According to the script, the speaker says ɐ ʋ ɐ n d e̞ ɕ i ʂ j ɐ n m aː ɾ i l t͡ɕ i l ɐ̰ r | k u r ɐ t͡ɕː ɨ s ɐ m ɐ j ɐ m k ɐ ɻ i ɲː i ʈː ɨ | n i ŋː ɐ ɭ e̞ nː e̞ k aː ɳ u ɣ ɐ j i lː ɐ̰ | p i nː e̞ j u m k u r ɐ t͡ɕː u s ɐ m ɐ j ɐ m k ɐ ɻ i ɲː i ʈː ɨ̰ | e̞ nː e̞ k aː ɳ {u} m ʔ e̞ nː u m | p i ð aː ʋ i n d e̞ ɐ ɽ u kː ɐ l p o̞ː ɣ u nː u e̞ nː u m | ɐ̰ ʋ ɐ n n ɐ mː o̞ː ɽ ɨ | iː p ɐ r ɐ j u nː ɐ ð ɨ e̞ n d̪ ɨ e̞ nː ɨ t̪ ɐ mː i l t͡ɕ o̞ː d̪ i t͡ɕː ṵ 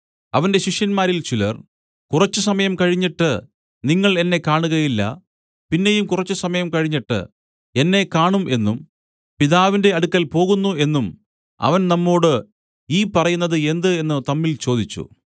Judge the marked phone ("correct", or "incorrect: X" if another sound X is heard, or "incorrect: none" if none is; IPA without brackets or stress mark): correct